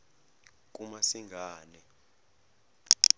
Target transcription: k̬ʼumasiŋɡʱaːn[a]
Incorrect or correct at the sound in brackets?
incorrect: ɛ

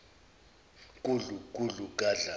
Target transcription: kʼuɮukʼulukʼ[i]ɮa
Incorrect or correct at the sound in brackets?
incorrect: a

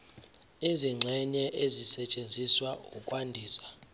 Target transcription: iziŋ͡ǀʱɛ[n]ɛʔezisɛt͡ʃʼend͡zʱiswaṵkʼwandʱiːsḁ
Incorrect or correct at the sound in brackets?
incorrect: ɲ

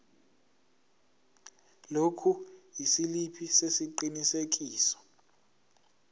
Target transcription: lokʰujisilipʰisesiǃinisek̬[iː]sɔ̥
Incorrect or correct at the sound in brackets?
correct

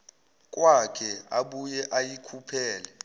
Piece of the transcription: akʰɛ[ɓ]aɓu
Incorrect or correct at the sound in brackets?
incorrect: none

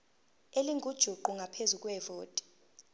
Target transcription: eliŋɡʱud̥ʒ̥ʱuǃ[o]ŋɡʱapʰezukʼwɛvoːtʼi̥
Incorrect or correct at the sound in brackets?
incorrect: u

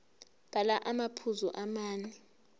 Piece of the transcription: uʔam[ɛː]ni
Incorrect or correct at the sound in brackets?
incorrect: aː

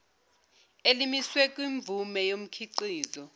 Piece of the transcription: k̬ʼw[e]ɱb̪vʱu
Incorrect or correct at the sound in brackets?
incorrect: i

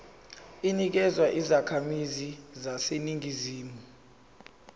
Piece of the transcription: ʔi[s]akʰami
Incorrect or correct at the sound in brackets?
incorrect: z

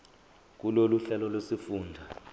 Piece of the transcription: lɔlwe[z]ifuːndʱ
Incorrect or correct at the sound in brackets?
incorrect: s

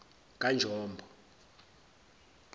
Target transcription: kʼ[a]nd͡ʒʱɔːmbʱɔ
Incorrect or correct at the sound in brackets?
correct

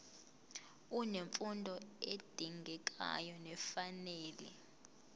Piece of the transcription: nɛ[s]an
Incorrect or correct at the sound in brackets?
incorrect: f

